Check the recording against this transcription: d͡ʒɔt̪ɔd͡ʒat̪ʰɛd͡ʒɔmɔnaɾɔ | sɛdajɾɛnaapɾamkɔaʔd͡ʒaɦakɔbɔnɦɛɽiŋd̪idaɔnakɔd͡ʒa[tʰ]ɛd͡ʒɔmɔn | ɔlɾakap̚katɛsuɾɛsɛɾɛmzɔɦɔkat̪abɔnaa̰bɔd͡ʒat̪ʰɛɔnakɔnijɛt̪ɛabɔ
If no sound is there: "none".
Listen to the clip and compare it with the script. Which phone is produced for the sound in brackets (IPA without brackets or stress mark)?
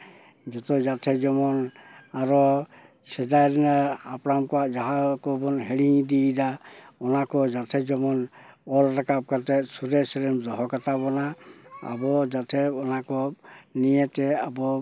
tʰ